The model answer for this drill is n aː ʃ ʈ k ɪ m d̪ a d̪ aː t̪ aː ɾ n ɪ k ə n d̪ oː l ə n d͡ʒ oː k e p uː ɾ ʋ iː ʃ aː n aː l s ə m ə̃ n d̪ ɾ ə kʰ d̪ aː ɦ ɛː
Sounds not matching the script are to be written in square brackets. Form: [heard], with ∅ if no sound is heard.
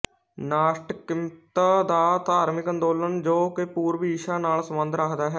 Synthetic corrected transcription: n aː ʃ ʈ k ɪ m [t̪] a d̪ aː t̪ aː ɾ [m] ɪ k ə n d̪ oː l ə n d͡ʒ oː k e p uː ɾ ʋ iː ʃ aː n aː l s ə m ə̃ n d̪ ɾ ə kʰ d̪ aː ɦ ɛː